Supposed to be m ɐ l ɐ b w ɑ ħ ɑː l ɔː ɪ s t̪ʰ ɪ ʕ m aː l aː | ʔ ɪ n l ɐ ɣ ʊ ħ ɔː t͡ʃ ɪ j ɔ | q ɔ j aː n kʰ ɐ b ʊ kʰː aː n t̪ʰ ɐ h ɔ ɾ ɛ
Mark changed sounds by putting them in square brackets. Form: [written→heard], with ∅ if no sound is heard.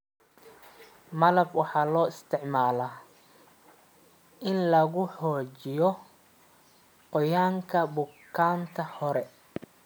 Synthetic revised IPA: m ɐ l ɐ b w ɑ ħ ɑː l ɔː ɪ s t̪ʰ ɪ ʕ m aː l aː | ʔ ɪ n l ɐ ɣ ʊ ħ ɔː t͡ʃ ɪ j ɔ | q ɔ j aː [n→ŋ] kʰ ɐ b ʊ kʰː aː n t̪ʰ ɐ h ɔ ɾ ɛ

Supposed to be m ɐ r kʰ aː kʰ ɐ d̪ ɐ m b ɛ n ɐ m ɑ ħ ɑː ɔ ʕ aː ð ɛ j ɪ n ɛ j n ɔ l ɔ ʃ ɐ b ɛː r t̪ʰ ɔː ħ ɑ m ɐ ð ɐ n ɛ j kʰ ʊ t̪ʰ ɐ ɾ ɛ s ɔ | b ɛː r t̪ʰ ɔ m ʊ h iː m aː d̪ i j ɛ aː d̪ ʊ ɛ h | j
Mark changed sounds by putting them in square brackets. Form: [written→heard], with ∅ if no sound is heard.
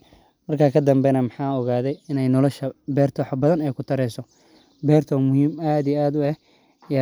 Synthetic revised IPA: m ɐ r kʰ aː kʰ ɐ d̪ ɐ m b ɛ n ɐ m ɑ ħ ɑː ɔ [ʕ→ɣ] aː ð ɛ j ɪ n ɛ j n ɔ l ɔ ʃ ɐ b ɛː r t̪ʰ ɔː ħ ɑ [m→b] ɐ ð ɐ n ɛ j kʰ ʊ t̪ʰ ɐ ɾ ɛ s ɔ | b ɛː r t̪ʰ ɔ m ʊ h iː m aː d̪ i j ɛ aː d̪ ʊ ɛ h | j

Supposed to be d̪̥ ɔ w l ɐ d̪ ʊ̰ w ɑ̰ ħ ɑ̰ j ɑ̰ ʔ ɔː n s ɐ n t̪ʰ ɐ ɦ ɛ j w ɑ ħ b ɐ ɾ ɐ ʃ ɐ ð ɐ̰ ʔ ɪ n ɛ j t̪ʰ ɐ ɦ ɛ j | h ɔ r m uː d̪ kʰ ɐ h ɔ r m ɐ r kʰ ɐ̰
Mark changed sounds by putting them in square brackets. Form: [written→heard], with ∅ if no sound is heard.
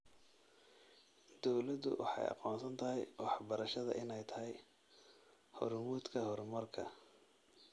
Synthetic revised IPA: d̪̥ ɔ w l ɐ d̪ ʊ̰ w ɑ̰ ħ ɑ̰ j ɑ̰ [ʔ→q] ɔː n s ɐ n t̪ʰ ɐ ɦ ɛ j w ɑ ħ b ɐ ɾ ɐ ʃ ɐ ð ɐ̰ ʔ ɪ n ɛ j t̪ʰ ɐ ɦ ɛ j | h ɔ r m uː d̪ kʰ ɐ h ɔ r m ɐ r kʰ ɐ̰

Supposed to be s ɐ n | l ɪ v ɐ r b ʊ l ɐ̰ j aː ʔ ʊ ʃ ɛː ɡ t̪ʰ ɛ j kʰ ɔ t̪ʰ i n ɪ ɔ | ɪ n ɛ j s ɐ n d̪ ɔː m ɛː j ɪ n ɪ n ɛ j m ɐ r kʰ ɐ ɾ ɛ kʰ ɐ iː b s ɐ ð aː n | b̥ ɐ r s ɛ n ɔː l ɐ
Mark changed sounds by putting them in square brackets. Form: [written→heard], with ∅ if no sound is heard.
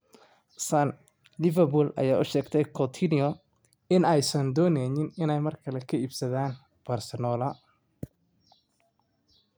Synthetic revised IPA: s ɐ n | l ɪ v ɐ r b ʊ l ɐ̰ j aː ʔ ʊ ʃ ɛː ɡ t̪ʰ ɛ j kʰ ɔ t̪ʰ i n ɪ ɔ | ɪ n ɛ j s ɐ n d̪ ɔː [m→n] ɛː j ɪ n ɪ n ɛ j m ɐ r kʰ ɐ [ɾ→l] ɛ kʰ ɐ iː b s ɐ ð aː n | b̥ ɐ r s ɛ n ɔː l ɐ

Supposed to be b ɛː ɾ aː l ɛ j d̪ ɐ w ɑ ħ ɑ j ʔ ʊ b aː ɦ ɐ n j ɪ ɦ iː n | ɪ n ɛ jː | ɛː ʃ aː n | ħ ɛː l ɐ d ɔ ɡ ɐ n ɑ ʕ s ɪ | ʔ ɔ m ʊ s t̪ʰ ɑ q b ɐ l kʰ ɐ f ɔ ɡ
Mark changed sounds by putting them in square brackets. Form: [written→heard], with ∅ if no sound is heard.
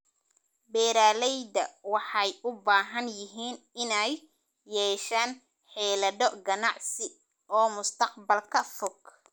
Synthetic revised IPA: b ɛː ɾ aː l ɛ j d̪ ɐ w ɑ ħ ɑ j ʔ ʊ b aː ɦ ɐ n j ɪ ɦ iː n | ɪ n ɛ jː | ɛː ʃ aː n | ħ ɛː l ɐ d ɔ ɡ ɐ n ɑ ʕ s ɪ | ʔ [ɔ→ɔː] m ʊ s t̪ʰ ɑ q b ɐ l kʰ ɐ f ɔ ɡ

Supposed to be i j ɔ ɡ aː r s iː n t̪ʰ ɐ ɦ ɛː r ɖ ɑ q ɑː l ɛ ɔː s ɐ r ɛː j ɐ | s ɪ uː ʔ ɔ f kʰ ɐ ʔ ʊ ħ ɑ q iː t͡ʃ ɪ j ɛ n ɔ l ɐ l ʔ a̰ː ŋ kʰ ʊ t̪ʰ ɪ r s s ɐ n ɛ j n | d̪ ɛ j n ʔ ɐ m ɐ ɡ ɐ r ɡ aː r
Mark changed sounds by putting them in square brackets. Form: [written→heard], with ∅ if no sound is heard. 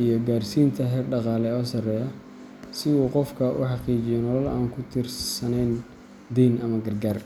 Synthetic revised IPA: i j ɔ ɡ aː r s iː n t̪ʰ ɐ ɦ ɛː r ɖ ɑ q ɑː l ɛ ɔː s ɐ r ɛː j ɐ | s ɪ uː [ʔ→q] ɔ f kʰ ɐ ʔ ʊ ħ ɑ q iː t͡ʃ ɪ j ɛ n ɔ l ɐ l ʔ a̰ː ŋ kʰ ʊ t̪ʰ ɪ r s s ɐ n ɛ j n | d̪ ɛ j n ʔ ɐ m ɐ ɡ ɐ r ɡ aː r

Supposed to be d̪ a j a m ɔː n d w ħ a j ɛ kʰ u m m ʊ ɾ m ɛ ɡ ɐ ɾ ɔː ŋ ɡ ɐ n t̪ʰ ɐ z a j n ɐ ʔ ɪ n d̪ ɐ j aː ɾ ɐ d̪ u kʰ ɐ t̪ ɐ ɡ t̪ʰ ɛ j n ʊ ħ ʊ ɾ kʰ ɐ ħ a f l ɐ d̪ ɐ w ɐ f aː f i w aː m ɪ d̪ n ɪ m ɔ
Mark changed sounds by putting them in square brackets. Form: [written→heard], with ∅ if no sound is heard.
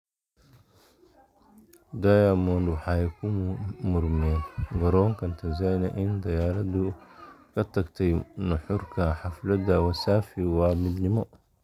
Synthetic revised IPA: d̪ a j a m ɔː n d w ħ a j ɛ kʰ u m m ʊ ɾ m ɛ ɡ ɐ ɾ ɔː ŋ [ɡ→k] ɐ n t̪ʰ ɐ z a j n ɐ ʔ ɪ n d̪ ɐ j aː ɾ ɐ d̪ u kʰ ɐ t̪ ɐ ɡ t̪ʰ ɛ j n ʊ ħ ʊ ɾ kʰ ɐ ħ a f l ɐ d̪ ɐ w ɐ [f→s] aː f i w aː m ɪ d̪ n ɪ m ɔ

